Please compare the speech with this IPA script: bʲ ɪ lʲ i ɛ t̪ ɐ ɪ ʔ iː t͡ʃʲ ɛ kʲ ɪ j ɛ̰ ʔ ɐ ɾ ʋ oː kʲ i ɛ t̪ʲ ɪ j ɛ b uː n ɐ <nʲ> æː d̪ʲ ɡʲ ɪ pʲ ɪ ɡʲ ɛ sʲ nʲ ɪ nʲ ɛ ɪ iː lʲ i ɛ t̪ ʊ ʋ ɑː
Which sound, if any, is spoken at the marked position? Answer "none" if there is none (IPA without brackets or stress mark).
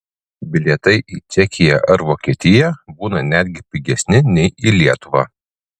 nʲ